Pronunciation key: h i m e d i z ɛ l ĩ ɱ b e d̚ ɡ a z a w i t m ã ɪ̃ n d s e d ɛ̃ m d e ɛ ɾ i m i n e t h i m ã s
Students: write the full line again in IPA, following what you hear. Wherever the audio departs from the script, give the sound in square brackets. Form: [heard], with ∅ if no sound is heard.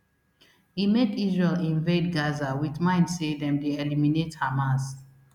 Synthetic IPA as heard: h i m e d i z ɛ l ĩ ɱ [v] e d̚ ɡ a z a w i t m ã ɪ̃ n d s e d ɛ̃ m d e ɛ [l] i m i n e t h [a] m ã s